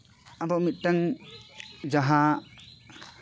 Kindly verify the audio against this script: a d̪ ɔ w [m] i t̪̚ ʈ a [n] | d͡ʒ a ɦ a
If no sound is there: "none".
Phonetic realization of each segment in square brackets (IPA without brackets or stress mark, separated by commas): m, ŋ